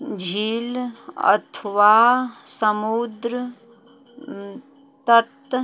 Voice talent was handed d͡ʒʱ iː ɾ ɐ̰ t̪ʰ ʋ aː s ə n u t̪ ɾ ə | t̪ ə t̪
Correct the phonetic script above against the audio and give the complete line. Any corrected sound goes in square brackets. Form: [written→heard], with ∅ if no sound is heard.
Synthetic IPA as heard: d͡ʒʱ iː [ɾ→l] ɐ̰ t̪ʰ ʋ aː s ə [n→m] u [t̪→d̪] ɾ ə | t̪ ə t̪